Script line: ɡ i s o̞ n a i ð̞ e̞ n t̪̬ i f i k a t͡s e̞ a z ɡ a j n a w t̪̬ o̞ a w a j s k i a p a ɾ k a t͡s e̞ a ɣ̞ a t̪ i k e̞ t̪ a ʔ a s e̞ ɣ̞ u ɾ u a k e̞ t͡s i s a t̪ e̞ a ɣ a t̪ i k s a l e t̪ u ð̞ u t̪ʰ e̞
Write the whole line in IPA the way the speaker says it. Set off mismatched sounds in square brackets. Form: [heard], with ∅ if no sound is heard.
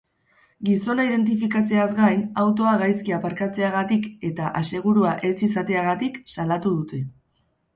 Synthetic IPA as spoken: ɡ i s o̞ n a i ð̞ e̞ n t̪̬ i f i k a t͡s e̞ a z ɡ a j n a w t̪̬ o̞ a [ɣ] a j s k i a p a ɾ k a t͡s e̞ a ɣ̞ a t̪ i k e̞ t̪ a ʔ a s e̞ ɣ̞ u ɾ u a [ʔ] e̞ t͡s i s a t̪ e̞ a ɣ a t̪ i k s a l [a] t̪ u ð̞ u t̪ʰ e̞

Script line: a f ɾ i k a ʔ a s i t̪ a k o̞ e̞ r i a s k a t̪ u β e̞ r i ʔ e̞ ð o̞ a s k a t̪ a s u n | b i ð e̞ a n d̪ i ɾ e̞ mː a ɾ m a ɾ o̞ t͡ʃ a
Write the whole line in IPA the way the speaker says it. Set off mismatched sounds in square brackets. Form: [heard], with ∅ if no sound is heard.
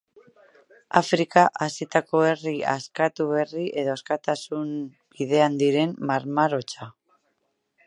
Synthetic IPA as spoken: a f ɾ i k a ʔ a s i t̪ a k o̞ e̞ r i a s k a t̪ u β e̞ r i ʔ e̞ ð o̞ a s k a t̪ a s u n | b i ð e̞ a n d̪ i ɾ e̞ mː a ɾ m a ɾ o̞ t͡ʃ a

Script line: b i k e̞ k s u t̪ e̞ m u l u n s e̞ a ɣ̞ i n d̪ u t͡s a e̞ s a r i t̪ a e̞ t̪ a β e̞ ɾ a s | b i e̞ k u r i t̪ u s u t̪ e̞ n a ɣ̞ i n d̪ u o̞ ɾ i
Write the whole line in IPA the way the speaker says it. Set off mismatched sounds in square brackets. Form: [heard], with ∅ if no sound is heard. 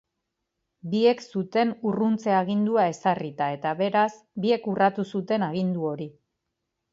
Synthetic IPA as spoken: b i [∅] e̞ k s u t̪ e̞ [n] u [r] u n [t͡s] e̞ a ɣ̞ i n d̪ u [∅] a e̞ s a r i t̪ a e̞ t̪ a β e̞ ɾ a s | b i e̞ k u r [a] t̪ u s u t̪ e̞ n a ɣ̞ i n d̪ u o̞ ɾ i

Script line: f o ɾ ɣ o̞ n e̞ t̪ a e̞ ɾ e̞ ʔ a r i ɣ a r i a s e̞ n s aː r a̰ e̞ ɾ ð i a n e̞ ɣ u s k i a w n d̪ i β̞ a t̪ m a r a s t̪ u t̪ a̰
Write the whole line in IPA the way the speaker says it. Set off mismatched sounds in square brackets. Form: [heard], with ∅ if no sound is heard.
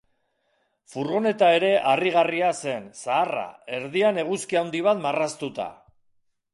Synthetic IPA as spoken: f [u] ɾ ɣ o̞ n e̞ t̪ a e̞ ɾ e̞ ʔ a r i ɣ a r i a s e̞ n s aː r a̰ e̞ ɾ ð i a n e̞ ɣ u s k i a w n d̪ i β̞ a t̪ m a r a s t̪ u t̪ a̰

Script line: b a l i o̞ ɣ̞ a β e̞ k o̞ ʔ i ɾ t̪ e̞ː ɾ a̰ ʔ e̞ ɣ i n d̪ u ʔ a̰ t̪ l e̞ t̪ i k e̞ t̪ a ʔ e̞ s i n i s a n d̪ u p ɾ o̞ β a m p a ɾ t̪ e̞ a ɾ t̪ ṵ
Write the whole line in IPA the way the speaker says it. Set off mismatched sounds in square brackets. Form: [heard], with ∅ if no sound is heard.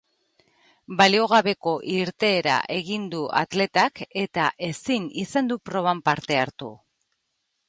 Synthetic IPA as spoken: b a l i o̞ ɣ̞ a β e̞ k o̞ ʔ i ɾ t̪ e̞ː ɾ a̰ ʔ e̞ ɣ i n d̪ u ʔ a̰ t̪ l e̞ t̪ [a] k e̞ t̪ a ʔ e̞ s i n i s a n d̪ u p ɾ o̞ β a m p a ɾ t̪ e̞ a ɾ t̪ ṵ

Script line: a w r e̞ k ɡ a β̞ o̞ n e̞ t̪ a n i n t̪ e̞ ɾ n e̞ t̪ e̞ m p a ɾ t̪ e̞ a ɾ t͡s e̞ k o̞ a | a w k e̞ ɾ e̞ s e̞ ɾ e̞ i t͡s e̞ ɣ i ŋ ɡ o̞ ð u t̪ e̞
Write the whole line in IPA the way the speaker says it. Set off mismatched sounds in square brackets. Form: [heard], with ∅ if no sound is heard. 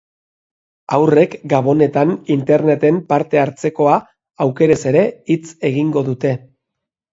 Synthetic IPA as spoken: a w r e̞ k ɡ a β̞ o̞ n e̞ t̪ a n i n t̪ e̞ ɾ n e̞ t̪ e̞ m p a ɾ t̪ e̞ a ɾ t͡s e̞ k o̞ a | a w k e̞ ɾ e̞ s e̞ ɾ e̞ i t͡s e̞ ɣ i ŋ ɡ o̞ ð u t̪ e̞

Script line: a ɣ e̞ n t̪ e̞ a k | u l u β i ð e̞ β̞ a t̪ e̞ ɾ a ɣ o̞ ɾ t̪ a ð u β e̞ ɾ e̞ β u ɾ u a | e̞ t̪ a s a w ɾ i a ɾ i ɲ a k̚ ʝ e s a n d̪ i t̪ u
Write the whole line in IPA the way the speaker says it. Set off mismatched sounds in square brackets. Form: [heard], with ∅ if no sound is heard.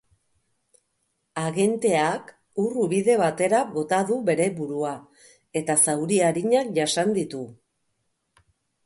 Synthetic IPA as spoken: a ɣ e̞ n t̪ e̞ a k | u [r] u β i ð e̞ β̞ a t̪ e̞ ɾ a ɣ o̞ [∅] t̪ a ð u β e̞ ɾ e̞ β u ɾ u a | e̞ t̪ a s a w ɾ i a ɾ i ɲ a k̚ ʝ [a] s a n d̪ i t̪ u

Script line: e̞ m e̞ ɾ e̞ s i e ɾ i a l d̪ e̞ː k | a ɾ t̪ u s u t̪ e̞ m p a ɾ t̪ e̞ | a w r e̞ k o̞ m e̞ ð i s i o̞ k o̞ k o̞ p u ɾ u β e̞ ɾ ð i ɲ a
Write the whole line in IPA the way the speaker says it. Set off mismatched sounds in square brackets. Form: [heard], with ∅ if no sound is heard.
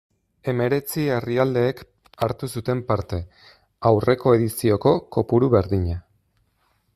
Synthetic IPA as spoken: e̞ m e̞ ɾ e̞ [t͡s] i e [r] i a l d̪ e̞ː k | a ɾ t̪ u s u t̪ e̞ m p a ɾ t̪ e̞ | a w r e̞ k o̞ [∅] e̞ ð i s i o̞ k o̞ k o̞ p u ɾ u β e̞ ɾ ð i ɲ a

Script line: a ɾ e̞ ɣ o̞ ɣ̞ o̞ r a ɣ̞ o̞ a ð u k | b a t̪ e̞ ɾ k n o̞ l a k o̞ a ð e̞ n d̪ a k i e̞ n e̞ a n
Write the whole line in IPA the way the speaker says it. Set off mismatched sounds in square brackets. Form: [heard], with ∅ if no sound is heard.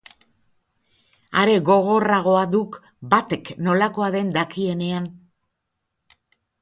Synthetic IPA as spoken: a ɾ e̞ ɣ o̞ ɣ̞ o̞ r a ɣ̞ o̞ a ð u k | b a t̪ e̞ [∅] k n o̞ l a k o̞ a ð e̞ n d̪ a k i e̞ n e̞ a n

